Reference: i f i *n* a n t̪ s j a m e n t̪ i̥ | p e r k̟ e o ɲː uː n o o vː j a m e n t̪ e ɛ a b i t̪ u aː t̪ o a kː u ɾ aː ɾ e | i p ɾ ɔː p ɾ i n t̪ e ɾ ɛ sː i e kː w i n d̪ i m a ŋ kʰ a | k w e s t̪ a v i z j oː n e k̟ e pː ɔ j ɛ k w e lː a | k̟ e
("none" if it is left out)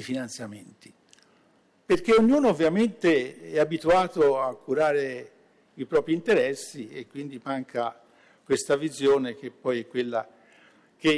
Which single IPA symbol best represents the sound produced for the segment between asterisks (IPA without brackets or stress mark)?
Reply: n